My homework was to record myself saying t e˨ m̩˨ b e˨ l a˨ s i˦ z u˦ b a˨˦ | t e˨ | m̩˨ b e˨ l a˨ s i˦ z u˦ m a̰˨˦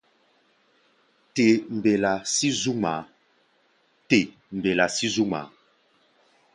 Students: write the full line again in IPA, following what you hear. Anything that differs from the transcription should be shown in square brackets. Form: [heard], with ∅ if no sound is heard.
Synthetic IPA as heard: t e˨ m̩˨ b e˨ l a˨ s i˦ z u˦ [m] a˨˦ | t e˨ | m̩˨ b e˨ l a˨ s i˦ z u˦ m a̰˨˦